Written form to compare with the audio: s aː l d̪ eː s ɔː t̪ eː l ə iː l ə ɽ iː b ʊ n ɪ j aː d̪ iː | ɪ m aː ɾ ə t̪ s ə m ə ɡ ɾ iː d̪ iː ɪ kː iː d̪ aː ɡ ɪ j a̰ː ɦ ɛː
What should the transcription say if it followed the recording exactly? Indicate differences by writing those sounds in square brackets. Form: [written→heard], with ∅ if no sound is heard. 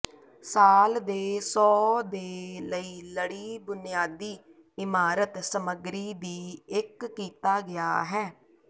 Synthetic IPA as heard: s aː l d̪ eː s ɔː [t̪→d̪] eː l ə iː l ə ɽ iː b ʊ n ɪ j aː d̪ iː | ɪ m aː ɾ ə t̪ s ə m ə ɡ ɾ iː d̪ iː ɪ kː iː [d̪→t̪] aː ɡ ɪ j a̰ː ɦ ɛː